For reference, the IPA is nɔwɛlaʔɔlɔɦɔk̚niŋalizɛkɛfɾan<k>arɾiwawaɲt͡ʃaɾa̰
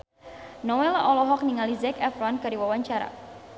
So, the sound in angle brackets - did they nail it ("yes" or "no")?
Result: yes